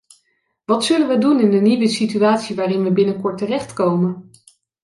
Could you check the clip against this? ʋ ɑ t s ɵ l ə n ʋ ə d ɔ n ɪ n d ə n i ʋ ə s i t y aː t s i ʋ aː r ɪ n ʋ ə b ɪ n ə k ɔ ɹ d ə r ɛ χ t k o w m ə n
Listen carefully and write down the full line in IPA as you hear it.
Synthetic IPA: ʋ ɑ t s ɵ l ə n ʋ ə d u n ɪ n d ə n i ʋ ə s i t y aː t s i ʋ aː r ɪ n ʋ ə b ɪ n ə k ɔ ɹ t ə r ɛ χ t k o w m ə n